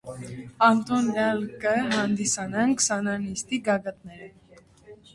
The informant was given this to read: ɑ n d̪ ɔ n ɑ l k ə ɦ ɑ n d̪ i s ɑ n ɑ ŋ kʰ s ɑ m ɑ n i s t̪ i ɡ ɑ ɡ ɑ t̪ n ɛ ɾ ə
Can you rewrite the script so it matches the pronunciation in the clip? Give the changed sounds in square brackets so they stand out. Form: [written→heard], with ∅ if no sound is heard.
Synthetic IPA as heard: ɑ n [d̪→t̪] ɔ n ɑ l k ə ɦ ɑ n d̪ i s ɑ n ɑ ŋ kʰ s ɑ [m→n] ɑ n i s t̪ i ɡ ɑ ɡ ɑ t̪ n ɛ ɾ ə